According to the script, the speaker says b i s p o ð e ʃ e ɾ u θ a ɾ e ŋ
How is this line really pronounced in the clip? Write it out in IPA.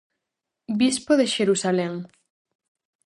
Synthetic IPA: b i s p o ð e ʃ e ɾ u s a l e ŋ